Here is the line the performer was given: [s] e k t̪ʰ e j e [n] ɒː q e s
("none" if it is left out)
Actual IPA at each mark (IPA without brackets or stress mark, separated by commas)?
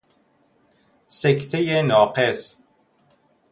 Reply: s, n